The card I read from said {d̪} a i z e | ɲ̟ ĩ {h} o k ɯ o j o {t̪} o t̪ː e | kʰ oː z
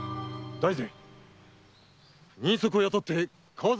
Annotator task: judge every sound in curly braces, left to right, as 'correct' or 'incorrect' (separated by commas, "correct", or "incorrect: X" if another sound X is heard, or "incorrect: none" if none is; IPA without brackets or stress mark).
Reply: correct, incorrect: s, correct